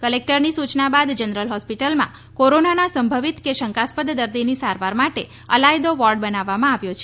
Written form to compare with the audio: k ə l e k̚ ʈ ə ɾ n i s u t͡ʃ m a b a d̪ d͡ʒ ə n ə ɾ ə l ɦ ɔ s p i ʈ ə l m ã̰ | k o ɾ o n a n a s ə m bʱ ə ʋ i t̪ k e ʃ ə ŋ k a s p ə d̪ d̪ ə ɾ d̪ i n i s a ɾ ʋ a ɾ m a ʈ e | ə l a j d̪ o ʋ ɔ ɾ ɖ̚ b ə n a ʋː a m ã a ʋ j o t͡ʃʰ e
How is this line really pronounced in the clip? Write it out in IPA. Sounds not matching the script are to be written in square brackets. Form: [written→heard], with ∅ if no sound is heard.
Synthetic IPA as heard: k ə l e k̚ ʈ ə ɾ n i s u t͡ʃ [m→n] a b a d̪ d͡ʒ ə n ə ɾ ə l ɦ ɔ s p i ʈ ə l m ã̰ | k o ɾ o n a n a s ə m bʱ ə ʋ i t̪ k e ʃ ə ŋ k a s p ə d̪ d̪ ə ɾ d̪ i n i s a ɾ ʋ a ɾ m a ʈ e | ə l a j d̪ o ʋ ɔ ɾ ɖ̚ b ə n a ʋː a m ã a ʋ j o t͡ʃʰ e